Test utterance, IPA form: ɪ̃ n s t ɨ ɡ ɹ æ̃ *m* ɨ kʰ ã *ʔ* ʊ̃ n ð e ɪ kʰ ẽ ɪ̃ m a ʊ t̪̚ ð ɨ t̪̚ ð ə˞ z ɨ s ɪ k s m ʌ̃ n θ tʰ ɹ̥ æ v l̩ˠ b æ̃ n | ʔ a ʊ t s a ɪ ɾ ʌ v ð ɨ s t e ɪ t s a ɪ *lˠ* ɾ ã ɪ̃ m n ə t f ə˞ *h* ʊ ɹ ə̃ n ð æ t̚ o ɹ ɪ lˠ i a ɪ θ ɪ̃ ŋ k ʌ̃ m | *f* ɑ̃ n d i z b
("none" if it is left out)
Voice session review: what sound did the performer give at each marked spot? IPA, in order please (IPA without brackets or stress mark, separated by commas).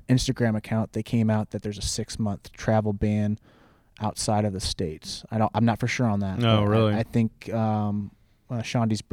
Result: m, none, none, ʃ, ʃ